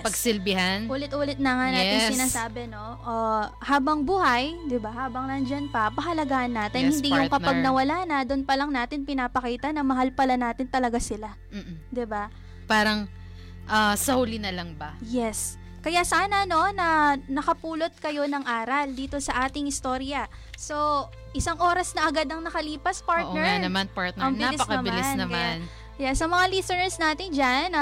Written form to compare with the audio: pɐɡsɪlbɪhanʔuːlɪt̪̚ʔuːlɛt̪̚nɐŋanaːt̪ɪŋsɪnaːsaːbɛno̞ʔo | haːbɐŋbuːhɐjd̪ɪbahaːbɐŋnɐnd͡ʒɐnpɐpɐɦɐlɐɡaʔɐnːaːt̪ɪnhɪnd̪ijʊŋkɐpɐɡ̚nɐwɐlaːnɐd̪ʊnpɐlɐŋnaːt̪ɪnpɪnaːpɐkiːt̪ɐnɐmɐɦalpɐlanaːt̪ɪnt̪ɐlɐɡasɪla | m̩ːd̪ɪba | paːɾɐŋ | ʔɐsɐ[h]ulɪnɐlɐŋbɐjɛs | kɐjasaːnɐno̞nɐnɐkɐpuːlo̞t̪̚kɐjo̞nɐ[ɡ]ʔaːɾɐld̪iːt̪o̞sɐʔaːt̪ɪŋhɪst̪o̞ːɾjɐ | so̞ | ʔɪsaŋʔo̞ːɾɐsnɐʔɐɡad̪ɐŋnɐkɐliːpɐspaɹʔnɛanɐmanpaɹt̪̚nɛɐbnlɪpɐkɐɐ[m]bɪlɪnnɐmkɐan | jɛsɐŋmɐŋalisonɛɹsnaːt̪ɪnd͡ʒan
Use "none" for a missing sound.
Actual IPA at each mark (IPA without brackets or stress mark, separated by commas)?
h, ŋ, m